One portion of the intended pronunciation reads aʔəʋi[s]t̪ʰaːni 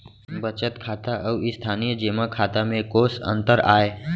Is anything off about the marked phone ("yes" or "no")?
no